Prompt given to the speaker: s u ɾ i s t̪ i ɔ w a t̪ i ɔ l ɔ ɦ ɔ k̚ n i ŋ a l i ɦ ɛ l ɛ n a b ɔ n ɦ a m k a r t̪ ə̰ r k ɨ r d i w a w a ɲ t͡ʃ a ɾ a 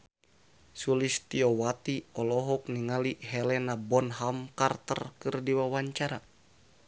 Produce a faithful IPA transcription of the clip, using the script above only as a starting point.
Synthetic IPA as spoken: s u l i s t̪ i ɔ w a t̪ i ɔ l ɔ ɦ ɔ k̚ n i ŋ a l i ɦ ɛ l ɛ n a b ɔ n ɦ a m k a r t̪ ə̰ r k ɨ r d i w a w a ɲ t͡ʃ a ɾ a